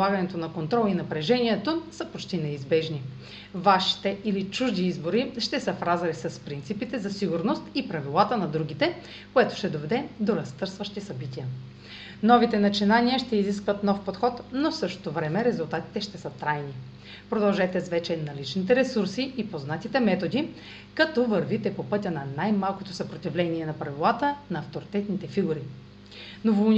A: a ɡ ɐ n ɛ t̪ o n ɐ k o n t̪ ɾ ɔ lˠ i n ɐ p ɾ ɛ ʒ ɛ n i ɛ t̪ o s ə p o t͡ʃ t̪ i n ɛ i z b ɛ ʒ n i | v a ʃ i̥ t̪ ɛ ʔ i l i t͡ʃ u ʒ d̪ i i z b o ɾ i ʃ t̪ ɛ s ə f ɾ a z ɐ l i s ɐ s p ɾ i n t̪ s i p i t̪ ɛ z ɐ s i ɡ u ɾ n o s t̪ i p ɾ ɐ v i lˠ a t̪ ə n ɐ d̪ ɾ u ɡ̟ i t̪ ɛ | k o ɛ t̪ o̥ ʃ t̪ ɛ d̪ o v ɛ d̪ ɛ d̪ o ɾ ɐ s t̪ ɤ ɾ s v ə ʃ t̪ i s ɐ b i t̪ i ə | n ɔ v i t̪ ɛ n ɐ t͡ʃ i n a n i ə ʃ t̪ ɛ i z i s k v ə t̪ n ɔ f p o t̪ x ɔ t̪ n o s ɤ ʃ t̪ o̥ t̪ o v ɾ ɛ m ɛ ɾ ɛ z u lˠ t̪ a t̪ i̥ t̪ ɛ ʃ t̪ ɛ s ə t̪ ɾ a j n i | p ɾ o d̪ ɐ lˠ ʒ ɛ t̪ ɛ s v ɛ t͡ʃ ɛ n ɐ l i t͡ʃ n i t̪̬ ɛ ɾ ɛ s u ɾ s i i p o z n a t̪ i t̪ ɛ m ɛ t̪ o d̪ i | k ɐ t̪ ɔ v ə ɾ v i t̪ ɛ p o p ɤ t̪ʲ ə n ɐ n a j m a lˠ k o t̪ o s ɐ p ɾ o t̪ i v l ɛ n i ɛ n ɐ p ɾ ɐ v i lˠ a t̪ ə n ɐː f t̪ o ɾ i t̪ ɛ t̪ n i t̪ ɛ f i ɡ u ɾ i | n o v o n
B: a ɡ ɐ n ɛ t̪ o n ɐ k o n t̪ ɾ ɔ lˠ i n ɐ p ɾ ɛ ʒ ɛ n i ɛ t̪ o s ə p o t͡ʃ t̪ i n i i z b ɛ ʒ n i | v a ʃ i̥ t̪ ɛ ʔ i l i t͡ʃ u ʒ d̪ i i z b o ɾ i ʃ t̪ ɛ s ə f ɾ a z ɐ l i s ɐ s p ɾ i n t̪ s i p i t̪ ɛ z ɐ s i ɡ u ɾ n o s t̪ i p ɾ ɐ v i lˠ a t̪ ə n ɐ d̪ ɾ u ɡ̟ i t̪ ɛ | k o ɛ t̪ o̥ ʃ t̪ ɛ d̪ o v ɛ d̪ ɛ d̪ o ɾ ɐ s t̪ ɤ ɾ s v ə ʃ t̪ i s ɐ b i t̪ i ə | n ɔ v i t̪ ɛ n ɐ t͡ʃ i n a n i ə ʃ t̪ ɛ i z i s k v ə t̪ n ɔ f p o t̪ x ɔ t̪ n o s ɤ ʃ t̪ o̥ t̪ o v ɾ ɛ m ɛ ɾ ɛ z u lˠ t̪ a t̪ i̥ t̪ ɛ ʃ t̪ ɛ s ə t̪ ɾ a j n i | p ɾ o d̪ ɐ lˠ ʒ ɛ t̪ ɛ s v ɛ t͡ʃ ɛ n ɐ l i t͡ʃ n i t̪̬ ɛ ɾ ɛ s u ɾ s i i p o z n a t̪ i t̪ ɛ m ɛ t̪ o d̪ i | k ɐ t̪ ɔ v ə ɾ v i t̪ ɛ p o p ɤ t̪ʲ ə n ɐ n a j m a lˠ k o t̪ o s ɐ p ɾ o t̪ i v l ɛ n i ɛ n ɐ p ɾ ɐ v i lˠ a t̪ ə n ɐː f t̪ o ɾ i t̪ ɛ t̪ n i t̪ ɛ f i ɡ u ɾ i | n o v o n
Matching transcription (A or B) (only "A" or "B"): A